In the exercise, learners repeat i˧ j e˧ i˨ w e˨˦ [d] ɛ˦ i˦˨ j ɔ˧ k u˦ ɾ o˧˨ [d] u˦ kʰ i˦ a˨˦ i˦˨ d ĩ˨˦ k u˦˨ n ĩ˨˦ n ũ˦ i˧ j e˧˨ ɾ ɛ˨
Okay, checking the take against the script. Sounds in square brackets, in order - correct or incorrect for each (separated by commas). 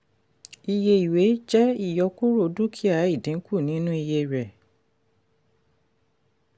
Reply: incorrect, correct